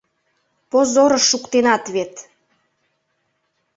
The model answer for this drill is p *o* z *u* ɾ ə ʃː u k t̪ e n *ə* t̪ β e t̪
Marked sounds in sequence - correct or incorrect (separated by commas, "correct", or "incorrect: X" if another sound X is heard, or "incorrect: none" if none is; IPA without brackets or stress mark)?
correct, incorrect: o, incorrect: ɑ